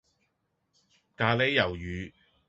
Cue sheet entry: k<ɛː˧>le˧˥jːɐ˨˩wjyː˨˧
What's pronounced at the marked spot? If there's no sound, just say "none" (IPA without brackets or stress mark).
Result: aː˧